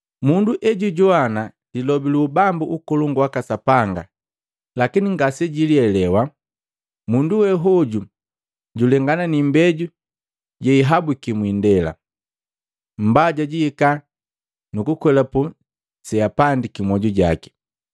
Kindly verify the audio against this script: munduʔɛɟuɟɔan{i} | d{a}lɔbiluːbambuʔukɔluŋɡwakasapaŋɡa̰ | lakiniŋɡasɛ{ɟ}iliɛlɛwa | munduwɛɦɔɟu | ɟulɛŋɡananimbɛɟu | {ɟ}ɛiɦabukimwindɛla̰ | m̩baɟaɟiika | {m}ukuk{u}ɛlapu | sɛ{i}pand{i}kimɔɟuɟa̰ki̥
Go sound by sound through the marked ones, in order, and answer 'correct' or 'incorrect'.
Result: incorrect: a, incorrect: i, correct, correct, incorrect: n, incorrect: w, incorrect: a, correct

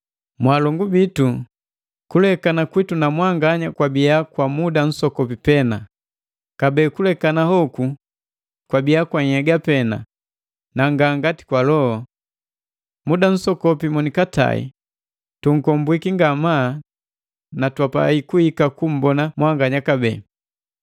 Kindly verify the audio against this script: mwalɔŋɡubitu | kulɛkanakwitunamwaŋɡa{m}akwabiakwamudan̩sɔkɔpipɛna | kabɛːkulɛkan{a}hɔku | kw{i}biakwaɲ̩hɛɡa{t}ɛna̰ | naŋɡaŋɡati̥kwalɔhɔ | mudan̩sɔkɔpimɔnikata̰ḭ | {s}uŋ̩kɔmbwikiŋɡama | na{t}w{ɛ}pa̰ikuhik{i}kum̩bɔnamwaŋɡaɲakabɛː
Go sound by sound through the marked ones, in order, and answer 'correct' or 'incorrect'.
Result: incorrect: ɲ, correct, incorrect: a, incorrect: p, incorrect: t, correct, incorrect: a, incorrect: a

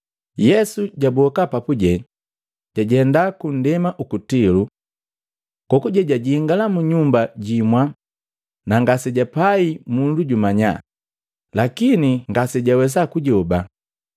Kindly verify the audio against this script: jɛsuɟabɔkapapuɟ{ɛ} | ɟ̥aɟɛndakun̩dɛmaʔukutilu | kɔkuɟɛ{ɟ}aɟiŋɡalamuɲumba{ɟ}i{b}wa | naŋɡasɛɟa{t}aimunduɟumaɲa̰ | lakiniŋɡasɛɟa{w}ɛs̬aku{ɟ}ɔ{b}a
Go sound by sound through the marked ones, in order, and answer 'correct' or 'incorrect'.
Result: correct, correct, correct, incorrect: m, incorrect: p, correct, correct, correct

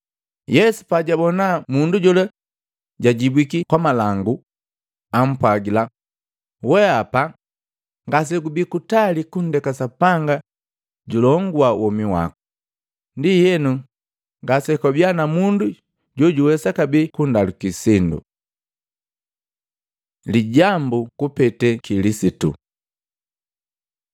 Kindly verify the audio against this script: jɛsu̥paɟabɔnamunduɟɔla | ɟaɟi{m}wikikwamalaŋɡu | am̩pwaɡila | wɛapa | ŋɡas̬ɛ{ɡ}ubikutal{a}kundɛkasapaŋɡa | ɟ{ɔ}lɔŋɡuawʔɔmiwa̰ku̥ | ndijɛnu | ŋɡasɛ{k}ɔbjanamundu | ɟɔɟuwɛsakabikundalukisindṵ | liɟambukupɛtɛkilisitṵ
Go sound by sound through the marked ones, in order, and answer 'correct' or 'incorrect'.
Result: incorrect: b, correct, incorrect: i, incorrect: u, correct

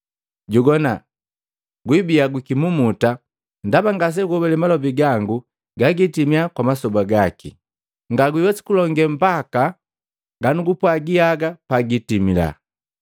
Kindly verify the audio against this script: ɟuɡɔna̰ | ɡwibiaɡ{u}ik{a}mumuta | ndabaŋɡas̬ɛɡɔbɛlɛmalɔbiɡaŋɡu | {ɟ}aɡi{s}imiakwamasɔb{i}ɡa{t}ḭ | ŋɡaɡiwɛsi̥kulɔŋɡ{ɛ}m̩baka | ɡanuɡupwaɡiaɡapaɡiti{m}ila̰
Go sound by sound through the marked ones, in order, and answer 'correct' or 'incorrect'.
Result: incorrect: w, incorrect: i, incorrect: ɡ, incorrect: t, incorrect: a, incorrect: k, correct, correct

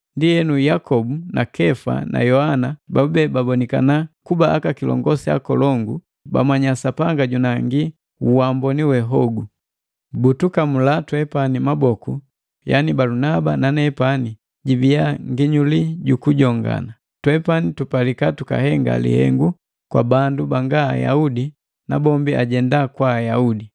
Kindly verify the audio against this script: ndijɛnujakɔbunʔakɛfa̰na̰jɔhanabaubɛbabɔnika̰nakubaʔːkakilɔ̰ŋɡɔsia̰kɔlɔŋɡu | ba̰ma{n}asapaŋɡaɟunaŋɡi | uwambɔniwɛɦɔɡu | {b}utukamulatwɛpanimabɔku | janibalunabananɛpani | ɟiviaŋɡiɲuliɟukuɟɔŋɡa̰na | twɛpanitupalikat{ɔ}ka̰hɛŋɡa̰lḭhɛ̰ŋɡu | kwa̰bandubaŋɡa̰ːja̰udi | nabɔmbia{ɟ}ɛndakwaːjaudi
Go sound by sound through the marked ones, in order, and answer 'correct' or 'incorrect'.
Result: incorrect: ɲ, correct, incorrect: u, correct

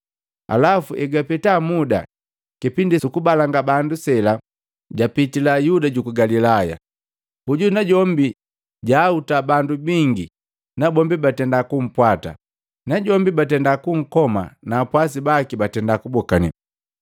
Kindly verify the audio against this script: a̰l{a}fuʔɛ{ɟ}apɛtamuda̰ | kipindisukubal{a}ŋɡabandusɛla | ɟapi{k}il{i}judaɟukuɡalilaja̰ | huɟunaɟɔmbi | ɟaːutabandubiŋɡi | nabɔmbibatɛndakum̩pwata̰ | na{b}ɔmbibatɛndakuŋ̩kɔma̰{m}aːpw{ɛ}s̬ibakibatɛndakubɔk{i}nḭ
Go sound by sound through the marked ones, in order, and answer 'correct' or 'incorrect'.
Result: correct, incorrect: ɡ, correct, incorrect: t, incorrect: a, incorrect: ɟ, incorrect: n, incorrect: a, incorrect: a

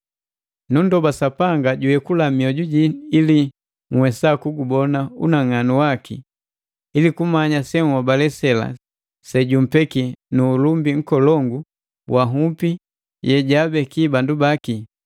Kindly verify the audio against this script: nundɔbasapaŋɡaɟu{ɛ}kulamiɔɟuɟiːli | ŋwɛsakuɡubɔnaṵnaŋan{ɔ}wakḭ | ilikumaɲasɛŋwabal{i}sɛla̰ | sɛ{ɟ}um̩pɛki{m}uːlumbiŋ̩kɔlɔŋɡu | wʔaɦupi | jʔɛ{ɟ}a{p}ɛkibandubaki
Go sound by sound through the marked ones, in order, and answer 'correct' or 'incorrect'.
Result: correct, incorrect: u, incorrect: ɛ, correct, incorrect: n, correct, incorrect: b

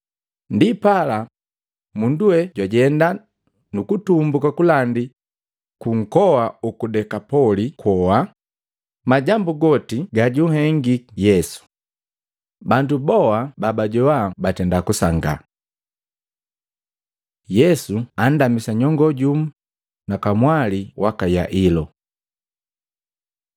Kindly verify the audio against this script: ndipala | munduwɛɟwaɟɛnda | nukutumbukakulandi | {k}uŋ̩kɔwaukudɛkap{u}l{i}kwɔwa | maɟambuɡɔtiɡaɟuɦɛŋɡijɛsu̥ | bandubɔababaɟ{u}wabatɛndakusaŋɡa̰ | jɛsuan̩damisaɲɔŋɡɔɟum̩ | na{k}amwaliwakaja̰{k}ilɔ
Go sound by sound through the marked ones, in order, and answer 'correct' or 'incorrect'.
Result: correct, incorrect: ɔ, correct, incorrect: ɔ, correct, incorrect: ʔ

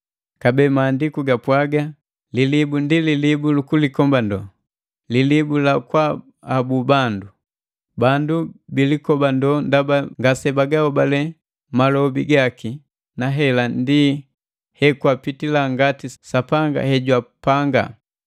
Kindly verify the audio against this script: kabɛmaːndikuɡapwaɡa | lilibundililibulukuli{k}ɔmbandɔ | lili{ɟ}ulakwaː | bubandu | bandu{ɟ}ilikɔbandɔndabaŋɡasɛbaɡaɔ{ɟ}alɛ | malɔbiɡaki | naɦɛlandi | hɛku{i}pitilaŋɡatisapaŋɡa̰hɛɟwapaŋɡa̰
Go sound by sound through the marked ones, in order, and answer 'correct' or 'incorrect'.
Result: correct, incorrect: b, incorrect: b, incorrect: b, incorrect: a

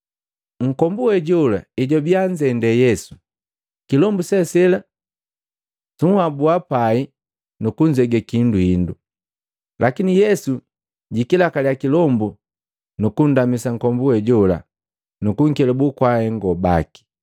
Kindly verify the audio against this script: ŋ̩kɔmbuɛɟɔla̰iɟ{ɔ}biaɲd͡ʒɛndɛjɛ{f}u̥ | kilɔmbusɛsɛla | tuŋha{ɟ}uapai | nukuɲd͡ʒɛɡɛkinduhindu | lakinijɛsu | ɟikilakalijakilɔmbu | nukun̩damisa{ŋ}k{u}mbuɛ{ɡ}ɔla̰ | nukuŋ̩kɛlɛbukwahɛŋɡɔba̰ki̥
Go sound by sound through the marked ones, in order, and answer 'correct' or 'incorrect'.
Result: correct, incorrect: s, incorrect: b, correct, incorrect: ɔ, incorrect: ɟ

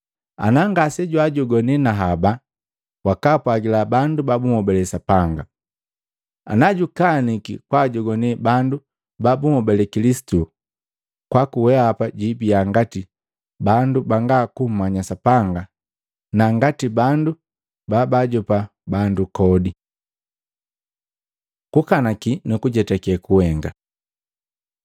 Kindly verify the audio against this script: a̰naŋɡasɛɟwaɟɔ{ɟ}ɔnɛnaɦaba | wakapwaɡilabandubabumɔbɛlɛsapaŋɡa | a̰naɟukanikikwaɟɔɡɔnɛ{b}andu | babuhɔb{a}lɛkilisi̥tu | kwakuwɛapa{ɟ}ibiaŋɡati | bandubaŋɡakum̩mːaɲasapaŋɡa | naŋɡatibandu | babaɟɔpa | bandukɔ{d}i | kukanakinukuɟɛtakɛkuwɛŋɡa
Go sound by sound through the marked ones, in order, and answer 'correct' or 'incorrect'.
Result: incorrect: ɡ, correct, incorrect: ɛ, correct, correct

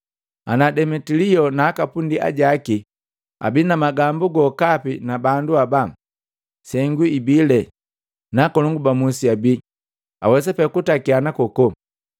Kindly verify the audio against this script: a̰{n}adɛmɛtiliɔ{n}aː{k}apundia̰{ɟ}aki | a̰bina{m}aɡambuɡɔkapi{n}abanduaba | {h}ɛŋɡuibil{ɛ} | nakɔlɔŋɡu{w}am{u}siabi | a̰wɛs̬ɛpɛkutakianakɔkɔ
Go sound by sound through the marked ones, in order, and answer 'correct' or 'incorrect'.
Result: correct, correct, correct, correct, correct, correct, incorrect: s, correct, incorrect: b, correct

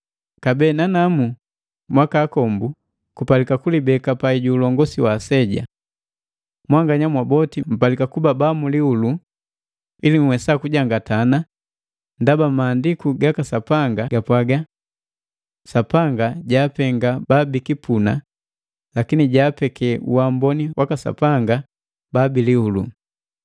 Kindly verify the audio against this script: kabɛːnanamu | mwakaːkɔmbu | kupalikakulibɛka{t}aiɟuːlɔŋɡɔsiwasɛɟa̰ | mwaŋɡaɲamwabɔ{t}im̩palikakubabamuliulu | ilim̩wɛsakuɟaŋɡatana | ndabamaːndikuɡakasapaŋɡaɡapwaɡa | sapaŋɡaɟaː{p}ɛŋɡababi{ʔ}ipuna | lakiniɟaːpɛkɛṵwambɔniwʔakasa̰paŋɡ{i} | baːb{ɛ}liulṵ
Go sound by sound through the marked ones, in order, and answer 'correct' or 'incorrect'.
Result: incorrect: p, correct, correct, incorrect: k, incorrect: a, incorrect: i

